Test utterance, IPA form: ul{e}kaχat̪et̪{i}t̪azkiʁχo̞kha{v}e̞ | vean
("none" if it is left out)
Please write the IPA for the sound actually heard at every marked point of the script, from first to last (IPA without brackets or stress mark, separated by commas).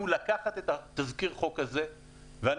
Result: a, a, z